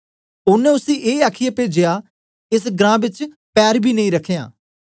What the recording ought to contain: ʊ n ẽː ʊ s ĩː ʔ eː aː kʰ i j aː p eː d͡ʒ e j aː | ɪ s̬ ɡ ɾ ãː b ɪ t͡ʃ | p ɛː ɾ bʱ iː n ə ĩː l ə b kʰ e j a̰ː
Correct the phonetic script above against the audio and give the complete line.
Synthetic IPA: ʊ n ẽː ʊ s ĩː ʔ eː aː kʰ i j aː p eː d͡ʒ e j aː | ɪ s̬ ɡ ɾ ãː b ɪ t͡ʃ | p ɛː ɾ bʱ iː n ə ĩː ɾ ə kʰ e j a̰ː